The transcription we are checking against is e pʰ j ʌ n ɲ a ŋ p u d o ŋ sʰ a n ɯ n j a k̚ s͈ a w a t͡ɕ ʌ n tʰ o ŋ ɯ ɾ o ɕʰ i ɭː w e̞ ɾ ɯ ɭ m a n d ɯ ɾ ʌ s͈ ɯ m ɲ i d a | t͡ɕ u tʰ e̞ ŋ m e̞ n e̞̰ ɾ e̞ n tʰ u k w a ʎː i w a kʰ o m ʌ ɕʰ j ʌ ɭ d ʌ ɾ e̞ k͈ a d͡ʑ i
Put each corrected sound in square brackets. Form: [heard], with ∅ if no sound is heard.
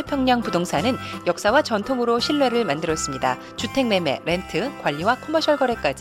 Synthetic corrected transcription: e pʰ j ʌ [ŋ] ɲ a ŋ p u d o ŋ sʰ a n ɯ n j [ʌ] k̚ s͈ a w a t͡ɕ ʌ n tʰ o ŋ ɯ ɾ o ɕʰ i ɭː w e̞ ɾ ɯ ɭ m a n d ɯ ɾ ʌ s͈ ɯ m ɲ i d a | t͡ɕ u tʰ e̞ ŋ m e̞ [m] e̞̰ ɾ e̞ n tʰ [ɯ] k w a ʎː i w a kʰ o m ʌ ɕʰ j ʌ ɭ [ɡ] ʌ ɾ e̞ k͈ a d͡ʑ i